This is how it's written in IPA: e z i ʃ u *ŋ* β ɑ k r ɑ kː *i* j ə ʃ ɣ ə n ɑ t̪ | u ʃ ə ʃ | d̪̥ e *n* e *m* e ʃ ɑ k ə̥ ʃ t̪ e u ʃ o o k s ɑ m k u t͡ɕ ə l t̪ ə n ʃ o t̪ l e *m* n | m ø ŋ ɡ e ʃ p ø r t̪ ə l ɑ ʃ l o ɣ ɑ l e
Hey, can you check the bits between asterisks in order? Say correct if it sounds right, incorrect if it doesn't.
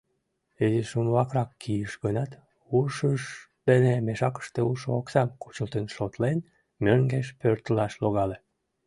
incorrect: n, correct, correct, correct, incorrect: none

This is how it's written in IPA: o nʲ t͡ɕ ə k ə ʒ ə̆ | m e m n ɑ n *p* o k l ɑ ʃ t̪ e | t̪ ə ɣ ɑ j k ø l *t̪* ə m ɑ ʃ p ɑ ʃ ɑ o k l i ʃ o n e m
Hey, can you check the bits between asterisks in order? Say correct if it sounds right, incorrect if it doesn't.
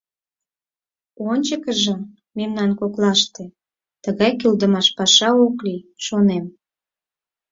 incorrect: k, incorrect: d̪

